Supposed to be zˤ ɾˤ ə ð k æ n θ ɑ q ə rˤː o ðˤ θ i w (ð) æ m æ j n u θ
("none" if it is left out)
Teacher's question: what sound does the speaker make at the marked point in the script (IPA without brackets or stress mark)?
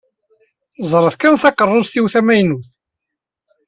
θ